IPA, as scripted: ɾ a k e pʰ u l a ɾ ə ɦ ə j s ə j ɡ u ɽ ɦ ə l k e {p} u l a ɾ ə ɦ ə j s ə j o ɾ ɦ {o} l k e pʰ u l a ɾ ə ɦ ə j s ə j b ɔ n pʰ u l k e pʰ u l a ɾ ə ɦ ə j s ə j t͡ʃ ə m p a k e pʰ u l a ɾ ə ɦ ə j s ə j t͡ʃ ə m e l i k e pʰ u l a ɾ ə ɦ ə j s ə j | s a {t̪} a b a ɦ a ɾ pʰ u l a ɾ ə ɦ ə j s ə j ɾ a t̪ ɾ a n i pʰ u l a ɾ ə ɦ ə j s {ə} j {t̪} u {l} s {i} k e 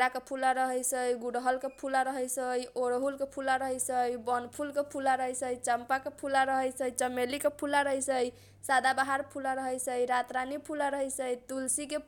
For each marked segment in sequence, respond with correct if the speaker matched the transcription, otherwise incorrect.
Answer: incorrect: pʰ, incorrect: u, incorrect: d̪, correct, correct, correct, correct

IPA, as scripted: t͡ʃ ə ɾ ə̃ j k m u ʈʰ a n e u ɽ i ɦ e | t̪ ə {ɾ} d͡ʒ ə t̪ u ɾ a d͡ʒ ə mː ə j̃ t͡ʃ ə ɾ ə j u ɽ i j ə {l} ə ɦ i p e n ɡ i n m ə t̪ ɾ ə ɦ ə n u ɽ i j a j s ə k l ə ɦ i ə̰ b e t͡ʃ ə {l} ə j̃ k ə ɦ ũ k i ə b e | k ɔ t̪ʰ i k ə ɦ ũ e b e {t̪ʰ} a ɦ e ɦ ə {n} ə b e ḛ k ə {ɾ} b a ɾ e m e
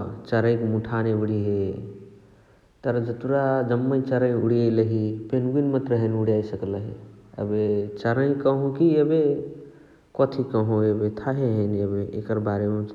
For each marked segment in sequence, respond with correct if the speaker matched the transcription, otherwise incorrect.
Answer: correct, correct, incorrect: ɾ, correct, correct, correct

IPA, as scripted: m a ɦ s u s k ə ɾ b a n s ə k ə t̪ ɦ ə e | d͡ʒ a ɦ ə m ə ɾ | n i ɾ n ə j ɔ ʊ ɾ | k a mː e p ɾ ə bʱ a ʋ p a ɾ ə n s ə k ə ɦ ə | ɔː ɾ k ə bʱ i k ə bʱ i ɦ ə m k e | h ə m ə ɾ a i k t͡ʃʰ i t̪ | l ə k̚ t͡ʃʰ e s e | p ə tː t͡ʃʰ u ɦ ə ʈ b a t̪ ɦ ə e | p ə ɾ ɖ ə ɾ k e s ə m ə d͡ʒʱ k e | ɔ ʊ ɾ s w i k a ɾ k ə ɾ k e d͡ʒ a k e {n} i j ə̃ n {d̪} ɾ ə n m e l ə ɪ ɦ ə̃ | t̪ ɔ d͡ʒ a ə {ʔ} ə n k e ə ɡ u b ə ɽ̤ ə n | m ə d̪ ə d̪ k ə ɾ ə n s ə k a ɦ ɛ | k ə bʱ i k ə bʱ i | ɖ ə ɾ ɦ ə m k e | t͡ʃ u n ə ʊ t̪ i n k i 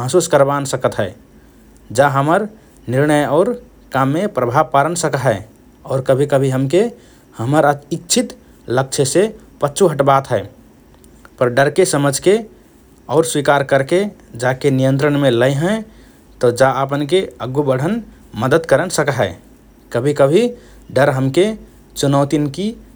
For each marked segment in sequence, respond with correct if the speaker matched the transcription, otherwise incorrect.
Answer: correct, incorrect: t̪, incorrect: p

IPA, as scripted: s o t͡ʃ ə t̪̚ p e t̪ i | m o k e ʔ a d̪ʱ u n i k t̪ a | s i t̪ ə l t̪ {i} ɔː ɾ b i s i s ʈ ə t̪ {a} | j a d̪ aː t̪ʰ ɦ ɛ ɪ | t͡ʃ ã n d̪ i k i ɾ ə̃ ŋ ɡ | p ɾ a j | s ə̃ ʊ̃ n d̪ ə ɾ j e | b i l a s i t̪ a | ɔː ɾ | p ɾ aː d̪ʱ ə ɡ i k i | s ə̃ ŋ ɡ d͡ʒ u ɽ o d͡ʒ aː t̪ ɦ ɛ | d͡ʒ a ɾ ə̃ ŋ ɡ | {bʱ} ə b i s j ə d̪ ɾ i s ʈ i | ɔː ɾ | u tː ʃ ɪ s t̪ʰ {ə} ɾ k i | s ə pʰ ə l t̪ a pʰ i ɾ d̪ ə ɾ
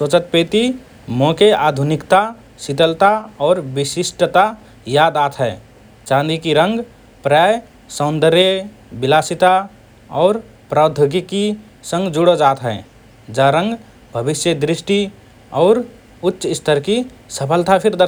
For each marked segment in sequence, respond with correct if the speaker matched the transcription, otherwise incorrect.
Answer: incorrect: a, correct, correct, correct

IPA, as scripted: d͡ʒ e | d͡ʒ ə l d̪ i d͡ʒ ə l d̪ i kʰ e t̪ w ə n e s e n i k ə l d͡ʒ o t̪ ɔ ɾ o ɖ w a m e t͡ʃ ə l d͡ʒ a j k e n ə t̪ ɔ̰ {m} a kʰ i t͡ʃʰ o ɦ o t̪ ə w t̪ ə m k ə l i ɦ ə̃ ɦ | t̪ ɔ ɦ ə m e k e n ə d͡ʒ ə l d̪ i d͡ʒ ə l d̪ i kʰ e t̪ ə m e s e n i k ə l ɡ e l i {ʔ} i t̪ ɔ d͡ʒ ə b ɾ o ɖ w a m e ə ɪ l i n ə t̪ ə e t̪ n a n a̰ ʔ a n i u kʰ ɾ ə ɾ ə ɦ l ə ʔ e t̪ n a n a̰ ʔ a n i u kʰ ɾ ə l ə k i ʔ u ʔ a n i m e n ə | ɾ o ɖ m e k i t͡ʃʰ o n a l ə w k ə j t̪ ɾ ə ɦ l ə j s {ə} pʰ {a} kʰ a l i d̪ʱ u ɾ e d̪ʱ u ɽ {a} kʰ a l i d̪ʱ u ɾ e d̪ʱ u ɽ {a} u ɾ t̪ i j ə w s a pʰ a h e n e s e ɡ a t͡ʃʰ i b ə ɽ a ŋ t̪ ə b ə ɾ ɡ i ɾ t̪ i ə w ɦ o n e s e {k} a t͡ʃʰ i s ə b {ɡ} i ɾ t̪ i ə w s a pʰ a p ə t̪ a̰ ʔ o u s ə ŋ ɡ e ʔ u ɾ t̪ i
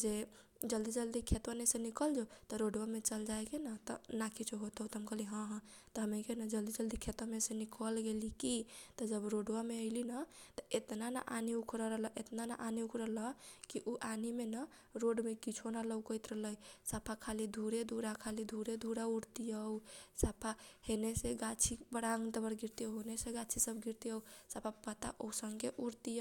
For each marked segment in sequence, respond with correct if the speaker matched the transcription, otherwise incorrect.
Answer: incorrect: n, incorrect: k, incorrect: a, correct, correct, correct, incorrect: ɡ, correct

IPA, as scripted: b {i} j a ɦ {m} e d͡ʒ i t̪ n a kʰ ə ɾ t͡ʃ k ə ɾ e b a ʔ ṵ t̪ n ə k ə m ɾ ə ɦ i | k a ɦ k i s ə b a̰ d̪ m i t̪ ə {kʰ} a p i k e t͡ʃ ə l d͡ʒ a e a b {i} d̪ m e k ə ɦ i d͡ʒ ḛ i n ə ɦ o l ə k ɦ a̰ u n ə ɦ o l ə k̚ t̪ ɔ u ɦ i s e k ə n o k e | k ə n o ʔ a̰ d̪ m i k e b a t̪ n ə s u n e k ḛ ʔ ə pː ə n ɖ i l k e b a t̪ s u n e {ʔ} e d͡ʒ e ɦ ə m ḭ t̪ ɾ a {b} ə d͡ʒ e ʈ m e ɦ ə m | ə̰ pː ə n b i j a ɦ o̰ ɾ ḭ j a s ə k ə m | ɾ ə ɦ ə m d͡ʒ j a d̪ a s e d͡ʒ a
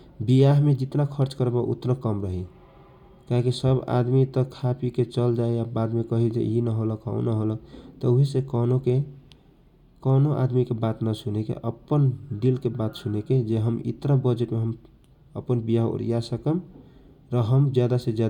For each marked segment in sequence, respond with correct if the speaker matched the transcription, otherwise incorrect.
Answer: correct, correct, correct, incorrect: a, incorrect: k, correct

